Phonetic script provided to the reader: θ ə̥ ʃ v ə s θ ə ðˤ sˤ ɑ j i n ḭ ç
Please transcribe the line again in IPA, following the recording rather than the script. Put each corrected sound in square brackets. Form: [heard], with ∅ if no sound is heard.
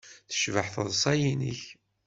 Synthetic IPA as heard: θ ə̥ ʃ v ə [ħ] θ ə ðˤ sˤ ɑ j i n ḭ ç